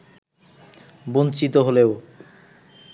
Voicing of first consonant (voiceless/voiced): voiced